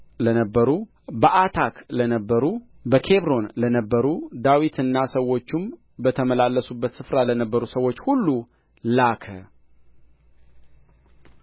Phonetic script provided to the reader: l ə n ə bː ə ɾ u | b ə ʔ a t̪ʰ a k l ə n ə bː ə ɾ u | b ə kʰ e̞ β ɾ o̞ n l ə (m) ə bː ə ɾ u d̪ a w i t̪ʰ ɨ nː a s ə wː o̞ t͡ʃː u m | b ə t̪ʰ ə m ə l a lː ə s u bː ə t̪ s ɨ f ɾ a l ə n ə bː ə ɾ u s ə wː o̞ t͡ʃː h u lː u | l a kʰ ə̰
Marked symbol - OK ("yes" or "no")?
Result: no